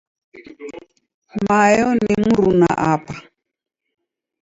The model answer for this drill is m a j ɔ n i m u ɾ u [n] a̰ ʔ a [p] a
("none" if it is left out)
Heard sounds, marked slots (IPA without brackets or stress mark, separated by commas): n, p